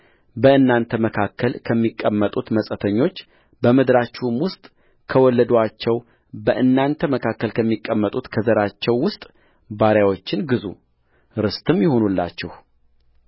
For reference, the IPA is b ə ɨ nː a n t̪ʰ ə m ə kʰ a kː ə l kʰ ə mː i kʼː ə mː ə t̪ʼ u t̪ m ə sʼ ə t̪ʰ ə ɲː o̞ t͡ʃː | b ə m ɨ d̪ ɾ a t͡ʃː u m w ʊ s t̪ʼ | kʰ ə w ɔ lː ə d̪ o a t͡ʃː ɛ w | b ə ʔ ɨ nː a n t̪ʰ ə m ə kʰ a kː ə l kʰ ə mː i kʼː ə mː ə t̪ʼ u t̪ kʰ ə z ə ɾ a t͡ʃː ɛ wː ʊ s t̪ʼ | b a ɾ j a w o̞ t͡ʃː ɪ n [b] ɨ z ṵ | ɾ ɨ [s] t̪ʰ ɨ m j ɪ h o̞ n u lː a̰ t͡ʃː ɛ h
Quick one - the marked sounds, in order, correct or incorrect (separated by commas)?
incorrect, correct